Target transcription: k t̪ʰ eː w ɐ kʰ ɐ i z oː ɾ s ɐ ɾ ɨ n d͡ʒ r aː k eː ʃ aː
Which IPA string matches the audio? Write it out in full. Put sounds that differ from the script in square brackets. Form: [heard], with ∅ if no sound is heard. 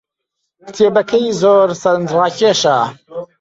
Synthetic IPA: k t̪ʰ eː [b] ɐ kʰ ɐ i z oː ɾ s ɐ ɾ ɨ n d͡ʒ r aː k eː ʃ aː